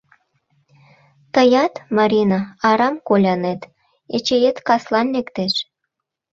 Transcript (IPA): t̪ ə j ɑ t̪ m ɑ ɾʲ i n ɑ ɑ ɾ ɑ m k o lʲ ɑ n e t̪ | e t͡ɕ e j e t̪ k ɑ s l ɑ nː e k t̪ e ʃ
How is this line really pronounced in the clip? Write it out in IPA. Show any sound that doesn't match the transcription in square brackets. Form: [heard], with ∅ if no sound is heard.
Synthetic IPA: t̪ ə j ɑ t̪ m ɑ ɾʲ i n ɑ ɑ ɾ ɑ m k o lʲ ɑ n e t̪ | e t͡ɕ e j e t̪ k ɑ s l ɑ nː e k t̪ e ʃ